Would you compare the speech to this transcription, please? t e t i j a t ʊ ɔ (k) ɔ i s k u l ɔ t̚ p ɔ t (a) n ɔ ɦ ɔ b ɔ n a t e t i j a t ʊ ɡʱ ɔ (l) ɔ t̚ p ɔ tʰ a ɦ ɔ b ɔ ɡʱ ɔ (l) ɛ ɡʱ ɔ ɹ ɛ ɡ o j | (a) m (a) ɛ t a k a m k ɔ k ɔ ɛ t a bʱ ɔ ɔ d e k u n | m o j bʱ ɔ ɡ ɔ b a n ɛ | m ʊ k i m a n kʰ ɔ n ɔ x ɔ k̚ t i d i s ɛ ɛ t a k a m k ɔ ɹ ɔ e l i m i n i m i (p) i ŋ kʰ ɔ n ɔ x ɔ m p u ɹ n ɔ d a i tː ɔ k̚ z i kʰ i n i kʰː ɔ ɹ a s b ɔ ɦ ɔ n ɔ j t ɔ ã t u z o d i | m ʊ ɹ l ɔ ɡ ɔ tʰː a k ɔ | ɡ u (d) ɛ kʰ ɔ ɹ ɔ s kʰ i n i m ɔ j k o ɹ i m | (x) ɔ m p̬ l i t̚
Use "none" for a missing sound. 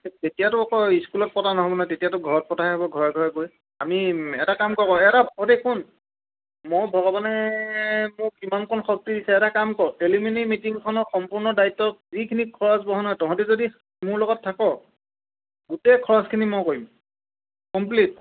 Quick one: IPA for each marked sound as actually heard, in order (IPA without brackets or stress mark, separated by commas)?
k, a, ɹ, ɹ, a, i, t, t, k